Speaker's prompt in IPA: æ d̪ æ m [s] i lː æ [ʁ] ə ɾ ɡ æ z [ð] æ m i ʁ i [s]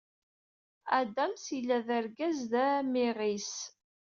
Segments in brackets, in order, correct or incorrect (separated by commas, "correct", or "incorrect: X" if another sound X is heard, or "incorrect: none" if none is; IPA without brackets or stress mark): correct, incorrect: ð, correct, correct